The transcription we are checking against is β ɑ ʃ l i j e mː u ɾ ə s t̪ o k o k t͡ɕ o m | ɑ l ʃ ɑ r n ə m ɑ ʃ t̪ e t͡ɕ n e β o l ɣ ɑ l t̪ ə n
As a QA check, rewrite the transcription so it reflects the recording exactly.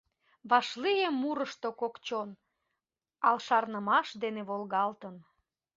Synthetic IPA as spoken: β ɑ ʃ l i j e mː u ɾ ə ʃ t̪ o k o k t͡ɕ o n | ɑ l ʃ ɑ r n ə m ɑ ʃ d̪ e n e β o l ɣ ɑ l t̪ ə n